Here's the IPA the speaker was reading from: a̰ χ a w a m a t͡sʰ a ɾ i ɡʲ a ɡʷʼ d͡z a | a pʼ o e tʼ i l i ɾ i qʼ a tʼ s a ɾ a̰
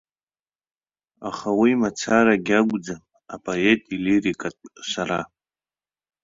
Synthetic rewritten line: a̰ χ a w i m a t͡sʰ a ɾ a ɡʲ a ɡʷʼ d͡z a | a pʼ o e tʼ i l i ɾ i kʼ a tʼ s a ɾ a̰